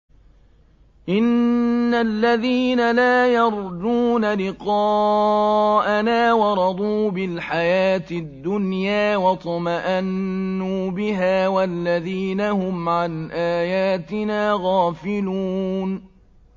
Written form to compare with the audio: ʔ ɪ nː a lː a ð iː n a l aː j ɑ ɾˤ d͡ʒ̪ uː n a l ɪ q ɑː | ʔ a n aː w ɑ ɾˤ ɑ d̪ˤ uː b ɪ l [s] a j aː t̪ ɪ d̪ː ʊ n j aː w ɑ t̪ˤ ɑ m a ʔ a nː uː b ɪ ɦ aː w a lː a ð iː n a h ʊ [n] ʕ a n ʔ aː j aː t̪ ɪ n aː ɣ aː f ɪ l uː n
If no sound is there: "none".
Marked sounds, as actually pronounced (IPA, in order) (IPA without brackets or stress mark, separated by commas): ħ, m